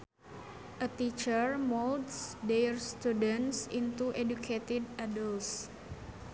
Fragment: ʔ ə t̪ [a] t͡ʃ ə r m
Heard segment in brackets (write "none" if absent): i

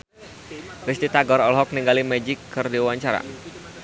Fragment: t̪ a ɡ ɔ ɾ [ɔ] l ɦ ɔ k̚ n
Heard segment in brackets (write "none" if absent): ɔ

